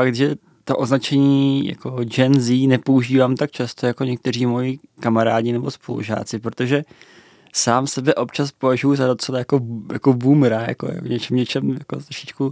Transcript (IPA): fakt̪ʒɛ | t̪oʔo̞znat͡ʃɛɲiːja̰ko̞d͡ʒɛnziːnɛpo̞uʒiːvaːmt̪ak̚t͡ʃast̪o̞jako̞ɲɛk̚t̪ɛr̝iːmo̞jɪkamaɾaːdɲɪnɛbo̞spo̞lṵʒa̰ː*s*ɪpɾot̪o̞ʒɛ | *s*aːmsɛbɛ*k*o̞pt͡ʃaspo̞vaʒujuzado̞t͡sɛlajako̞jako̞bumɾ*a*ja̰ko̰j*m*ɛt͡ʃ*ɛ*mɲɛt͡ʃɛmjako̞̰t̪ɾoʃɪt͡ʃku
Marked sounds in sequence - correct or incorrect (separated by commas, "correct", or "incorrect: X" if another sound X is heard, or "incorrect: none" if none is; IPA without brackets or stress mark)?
incorrect: t͡s, correct, incorrect: ʔ, correct, incorrect: ɲ, correct